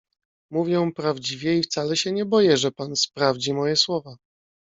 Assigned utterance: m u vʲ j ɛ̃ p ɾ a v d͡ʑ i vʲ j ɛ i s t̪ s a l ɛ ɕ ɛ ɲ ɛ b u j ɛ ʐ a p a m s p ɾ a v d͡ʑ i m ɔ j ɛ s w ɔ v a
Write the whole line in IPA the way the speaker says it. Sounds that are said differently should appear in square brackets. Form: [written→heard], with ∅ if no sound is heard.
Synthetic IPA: m u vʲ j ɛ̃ p ɾ a v d͡ʑ i vʲ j ɛ i [s→f] t̪ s a l ɛ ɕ ɛ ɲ ɛ b [u→ɔ] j ɛ ʐ [a→ɛ] p a [m→n] s p ɾ a v d͡ʑ i m ɔ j ɛ s w ɔ v a